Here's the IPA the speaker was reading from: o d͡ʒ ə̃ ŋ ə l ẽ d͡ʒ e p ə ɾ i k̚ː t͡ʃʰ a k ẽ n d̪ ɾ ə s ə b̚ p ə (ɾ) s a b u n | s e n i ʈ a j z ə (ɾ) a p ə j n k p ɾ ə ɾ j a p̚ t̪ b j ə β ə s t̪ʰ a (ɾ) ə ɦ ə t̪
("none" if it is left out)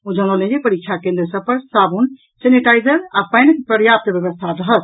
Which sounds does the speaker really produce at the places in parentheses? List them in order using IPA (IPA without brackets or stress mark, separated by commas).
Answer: ɾ, ɾ, ɾ